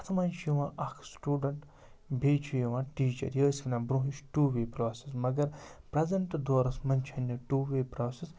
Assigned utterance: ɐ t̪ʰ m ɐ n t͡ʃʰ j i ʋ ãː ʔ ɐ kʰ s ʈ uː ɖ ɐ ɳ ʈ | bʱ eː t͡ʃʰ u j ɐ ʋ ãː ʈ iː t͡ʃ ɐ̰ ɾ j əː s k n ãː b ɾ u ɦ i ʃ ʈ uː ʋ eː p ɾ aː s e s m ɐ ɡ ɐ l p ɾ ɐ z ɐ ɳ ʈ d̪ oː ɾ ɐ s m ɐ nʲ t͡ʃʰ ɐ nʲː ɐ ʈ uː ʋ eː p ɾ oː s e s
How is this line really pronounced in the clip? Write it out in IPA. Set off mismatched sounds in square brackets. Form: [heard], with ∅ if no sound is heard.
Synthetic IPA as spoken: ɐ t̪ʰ m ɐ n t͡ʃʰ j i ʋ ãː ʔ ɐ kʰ s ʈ uː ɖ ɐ ɳ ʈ | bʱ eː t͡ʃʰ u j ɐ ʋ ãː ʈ iː t͡ʃ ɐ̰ ɾ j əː s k n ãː b ɾ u ɦ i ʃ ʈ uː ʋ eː p ɾ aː s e s m ɐ ɡ ɐ [ɾ] p ɾ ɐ z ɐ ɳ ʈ d̪ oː ɾ ɐ s m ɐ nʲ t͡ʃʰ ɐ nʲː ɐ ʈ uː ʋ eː p ɾ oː s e s

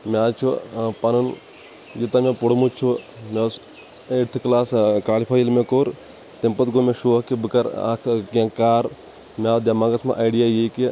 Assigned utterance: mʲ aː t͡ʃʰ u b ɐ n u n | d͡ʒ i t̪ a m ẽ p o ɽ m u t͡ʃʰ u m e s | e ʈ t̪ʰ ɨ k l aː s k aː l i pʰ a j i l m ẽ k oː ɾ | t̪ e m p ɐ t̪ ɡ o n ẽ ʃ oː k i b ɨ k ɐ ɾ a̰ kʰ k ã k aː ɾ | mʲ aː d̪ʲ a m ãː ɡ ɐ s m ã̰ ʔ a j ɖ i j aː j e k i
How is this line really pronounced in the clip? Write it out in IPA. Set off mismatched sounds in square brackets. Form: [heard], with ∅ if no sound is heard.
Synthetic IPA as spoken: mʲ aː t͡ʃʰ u [p] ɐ n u n | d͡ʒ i t̪ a m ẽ p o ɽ m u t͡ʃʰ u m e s | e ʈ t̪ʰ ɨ k l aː s k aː l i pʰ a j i l m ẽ k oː ɾ | t̪ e m p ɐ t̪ ɡ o [m] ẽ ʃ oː k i b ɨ k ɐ ɾ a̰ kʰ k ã k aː ɾ | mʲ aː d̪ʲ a m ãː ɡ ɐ s m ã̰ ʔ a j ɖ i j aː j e k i

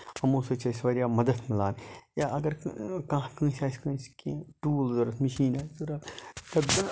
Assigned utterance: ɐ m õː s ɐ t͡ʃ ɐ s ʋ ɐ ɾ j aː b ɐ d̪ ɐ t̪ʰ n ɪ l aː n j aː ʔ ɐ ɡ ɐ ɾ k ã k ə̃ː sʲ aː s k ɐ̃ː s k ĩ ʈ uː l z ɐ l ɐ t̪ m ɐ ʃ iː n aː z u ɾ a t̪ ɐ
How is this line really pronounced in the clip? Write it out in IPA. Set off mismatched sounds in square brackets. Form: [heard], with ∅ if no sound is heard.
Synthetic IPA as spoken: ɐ m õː s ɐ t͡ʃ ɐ s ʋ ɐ ɾ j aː [m] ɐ d̪ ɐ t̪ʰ [m] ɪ l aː n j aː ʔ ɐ ɡ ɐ ɾ k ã k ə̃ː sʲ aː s k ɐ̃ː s k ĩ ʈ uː l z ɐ [ɾ] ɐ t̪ m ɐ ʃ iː n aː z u ɾ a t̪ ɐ

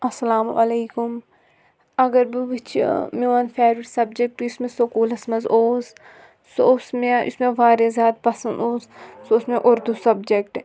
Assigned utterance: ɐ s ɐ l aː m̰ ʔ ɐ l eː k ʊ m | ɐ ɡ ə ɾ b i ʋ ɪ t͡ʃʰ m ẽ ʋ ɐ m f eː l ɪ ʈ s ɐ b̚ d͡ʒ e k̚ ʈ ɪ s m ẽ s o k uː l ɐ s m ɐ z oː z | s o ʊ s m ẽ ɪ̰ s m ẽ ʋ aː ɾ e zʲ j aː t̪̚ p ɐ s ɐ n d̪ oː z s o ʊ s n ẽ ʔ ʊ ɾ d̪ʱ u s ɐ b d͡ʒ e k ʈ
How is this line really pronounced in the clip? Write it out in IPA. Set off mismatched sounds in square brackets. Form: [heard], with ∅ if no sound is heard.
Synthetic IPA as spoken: ɐ s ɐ l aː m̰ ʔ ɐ l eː k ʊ m | ɐ ɡ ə ɾ b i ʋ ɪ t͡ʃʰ m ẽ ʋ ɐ [n] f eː [ɾ] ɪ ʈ s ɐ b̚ d͡ʒ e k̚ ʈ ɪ s m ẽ s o k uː l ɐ s m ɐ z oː z | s o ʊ s m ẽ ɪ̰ s m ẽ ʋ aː ɾ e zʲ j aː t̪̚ p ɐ s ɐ n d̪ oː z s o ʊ s [m] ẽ ʔ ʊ ɾ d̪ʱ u s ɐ b d͡ʒ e k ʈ

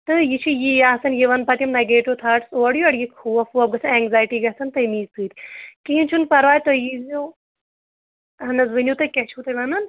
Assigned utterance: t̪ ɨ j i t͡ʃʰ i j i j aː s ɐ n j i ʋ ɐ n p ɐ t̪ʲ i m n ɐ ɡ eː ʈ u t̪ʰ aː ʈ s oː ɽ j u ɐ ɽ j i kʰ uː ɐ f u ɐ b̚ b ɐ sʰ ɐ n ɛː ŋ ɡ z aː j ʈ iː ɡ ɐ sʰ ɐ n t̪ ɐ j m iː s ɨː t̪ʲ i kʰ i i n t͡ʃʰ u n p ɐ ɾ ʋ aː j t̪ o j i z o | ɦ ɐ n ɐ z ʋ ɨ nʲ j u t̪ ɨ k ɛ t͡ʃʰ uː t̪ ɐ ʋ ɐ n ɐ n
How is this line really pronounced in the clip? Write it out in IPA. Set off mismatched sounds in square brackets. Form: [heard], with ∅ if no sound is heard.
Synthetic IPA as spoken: t̪ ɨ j i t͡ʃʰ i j i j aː s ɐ n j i ʋ ɐ n p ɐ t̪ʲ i m n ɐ ɡ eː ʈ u t̪ʰ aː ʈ s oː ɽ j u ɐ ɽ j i kʰ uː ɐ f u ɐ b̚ [ɡ] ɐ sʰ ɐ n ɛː ŋ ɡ z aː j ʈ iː ɡ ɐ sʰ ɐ n t̪ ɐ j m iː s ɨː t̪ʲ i [k] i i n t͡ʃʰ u n p ɐ ɾ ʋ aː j t̪ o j i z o | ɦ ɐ n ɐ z ʋ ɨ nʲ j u t̪ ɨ k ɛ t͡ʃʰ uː t̪ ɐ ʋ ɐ n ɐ n

